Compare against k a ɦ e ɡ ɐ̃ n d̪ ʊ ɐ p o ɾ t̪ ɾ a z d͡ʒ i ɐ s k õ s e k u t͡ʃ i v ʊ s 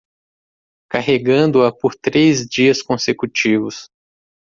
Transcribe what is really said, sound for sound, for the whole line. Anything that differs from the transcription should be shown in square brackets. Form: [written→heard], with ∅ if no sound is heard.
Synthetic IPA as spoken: k a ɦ e ɡ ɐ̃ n d̪ ʊ ɐ p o ɾ t̪ ɾ [a→e] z d͡ʒ i ɐ s k õ s e k u t͡ʃ i v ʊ s